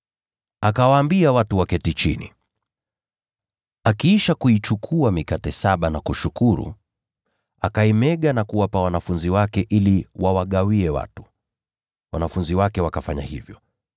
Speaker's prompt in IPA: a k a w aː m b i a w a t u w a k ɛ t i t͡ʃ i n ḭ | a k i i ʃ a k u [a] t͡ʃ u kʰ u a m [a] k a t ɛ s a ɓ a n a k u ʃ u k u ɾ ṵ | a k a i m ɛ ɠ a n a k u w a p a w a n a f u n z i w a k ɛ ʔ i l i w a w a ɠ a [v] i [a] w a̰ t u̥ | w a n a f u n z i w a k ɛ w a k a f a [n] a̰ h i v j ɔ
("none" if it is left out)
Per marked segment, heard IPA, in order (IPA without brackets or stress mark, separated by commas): i, i, w, ɛ, ɲ